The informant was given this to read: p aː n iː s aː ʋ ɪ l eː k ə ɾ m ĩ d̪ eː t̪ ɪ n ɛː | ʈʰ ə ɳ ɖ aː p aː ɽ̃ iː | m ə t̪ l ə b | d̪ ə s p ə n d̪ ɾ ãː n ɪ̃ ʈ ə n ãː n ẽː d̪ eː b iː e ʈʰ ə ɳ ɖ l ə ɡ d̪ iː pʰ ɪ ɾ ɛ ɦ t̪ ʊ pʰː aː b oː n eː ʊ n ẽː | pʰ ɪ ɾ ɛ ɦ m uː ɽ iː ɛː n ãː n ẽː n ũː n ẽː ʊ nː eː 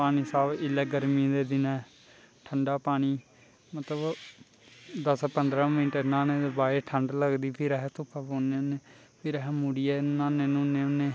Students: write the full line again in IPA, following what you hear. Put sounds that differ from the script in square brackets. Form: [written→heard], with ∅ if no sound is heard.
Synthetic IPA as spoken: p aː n iː s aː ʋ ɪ l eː [k→ɡ] ə ɾ m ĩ d̪ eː [t̪→d̪] ɪ n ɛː | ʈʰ ə ɳ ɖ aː p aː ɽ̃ iː | m ə t̪ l ə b | d̪ ə s p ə n d̪ ɾ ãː [n→m] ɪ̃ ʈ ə n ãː n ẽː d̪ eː b [iː→aː] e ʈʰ ə ɳ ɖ l ə ɡ d̪ iː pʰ ɪ ɾ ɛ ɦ t̪ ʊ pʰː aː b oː n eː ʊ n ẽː | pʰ ɪ ɾ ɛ ɦ m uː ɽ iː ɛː n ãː n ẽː n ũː n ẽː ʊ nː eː